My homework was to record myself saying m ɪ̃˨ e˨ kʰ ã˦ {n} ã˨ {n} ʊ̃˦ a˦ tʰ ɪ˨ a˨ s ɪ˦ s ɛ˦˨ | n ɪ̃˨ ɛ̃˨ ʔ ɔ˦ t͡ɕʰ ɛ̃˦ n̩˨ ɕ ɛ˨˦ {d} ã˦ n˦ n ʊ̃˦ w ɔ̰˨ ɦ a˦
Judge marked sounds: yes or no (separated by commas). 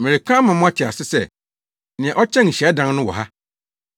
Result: no, no, yes